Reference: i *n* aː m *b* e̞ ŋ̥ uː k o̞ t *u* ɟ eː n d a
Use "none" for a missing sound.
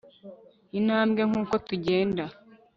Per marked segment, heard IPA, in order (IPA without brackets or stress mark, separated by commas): n, ɡ, u